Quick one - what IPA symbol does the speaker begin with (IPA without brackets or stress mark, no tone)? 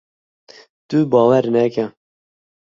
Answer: t̪